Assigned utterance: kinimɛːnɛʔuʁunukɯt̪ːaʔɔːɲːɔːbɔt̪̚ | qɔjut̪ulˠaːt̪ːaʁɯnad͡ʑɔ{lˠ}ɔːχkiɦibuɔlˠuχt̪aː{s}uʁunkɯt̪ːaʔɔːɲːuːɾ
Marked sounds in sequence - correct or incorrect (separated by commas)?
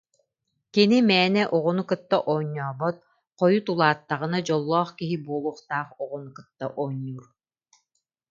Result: incorrect, incorrect